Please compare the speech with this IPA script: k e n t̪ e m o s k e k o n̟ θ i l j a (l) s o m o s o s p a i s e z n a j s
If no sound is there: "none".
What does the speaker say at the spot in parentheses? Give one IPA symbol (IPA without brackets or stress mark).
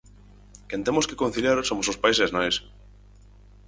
ɾ